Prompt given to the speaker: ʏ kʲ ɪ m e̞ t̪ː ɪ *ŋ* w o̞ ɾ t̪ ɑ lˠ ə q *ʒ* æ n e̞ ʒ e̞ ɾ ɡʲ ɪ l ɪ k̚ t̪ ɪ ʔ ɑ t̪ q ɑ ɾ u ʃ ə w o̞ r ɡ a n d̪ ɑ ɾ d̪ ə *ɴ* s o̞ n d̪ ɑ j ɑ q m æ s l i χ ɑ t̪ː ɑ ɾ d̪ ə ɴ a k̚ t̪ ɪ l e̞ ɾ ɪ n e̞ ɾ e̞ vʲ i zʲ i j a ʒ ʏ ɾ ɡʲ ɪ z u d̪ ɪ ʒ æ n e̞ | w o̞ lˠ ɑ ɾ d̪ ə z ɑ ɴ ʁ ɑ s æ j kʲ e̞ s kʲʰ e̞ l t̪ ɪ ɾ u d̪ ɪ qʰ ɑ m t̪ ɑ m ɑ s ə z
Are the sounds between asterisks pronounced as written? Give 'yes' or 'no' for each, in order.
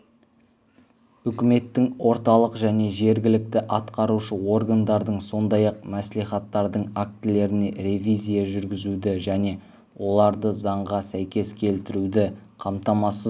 yes, yes, yes

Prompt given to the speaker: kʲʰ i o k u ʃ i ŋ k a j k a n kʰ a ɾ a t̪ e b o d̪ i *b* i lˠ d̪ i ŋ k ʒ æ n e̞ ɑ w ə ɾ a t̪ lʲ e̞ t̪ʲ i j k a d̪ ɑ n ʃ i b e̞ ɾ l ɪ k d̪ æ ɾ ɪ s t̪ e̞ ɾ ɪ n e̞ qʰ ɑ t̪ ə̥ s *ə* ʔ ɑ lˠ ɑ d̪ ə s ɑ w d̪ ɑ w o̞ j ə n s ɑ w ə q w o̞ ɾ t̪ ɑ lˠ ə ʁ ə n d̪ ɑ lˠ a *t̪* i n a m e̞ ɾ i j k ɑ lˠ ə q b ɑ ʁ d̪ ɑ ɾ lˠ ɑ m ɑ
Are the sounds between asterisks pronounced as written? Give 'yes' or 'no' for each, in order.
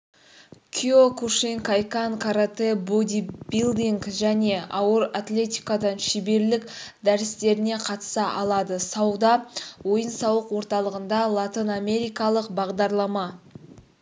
yes, no, yes

